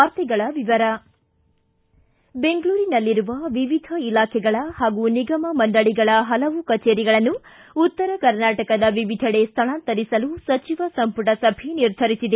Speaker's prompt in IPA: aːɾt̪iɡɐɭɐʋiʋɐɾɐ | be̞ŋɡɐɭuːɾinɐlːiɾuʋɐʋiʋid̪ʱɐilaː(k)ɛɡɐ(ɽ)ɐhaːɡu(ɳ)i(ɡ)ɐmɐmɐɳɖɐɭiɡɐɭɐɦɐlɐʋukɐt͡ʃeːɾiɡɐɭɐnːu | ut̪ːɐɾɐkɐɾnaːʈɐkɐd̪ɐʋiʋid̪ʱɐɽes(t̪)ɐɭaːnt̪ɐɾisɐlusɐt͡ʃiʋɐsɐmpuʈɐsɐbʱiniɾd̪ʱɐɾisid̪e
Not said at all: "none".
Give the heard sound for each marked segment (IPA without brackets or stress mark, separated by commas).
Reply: kʰ, ɭ, n, ɡ, t̪ʰ